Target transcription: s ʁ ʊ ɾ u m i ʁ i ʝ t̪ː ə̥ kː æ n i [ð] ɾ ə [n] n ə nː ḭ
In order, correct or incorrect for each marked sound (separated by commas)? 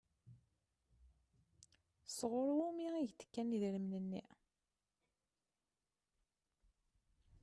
correct, incorrect